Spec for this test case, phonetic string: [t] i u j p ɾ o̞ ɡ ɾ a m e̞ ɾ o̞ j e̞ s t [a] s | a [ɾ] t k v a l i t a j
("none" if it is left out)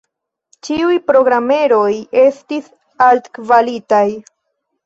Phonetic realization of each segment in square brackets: t͡ʃ, i, l

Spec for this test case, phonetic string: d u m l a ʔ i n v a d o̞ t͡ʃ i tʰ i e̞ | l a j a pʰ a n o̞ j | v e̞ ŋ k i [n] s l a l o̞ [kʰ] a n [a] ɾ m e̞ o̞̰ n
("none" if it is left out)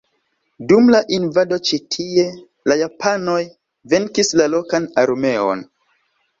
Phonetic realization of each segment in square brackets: none, k, a

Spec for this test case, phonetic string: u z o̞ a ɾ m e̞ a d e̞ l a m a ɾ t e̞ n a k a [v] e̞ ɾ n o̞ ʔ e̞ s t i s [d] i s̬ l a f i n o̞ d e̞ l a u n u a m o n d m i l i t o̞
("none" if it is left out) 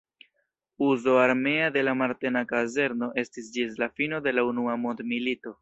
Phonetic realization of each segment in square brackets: z, d͡ʒ

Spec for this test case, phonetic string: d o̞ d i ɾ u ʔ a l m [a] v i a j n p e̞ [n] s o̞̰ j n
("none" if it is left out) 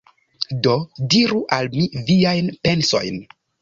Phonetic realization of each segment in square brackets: i, n

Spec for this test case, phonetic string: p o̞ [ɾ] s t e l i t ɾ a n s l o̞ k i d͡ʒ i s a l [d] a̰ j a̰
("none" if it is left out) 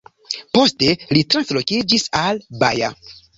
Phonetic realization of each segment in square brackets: none, b

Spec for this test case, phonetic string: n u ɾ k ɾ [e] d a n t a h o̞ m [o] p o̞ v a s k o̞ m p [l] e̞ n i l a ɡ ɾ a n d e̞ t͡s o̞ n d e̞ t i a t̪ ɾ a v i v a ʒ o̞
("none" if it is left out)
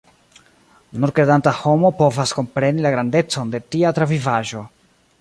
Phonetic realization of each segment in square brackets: e, o, ɾ

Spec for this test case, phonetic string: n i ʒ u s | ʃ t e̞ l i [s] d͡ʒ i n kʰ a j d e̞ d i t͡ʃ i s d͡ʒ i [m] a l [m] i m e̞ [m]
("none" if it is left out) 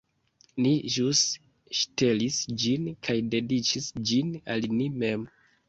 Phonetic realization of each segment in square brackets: s, n, n, m

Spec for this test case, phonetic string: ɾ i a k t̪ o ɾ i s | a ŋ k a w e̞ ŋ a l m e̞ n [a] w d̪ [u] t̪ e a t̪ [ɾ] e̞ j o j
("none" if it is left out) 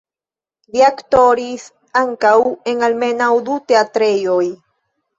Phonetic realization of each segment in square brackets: a, u, ɾ

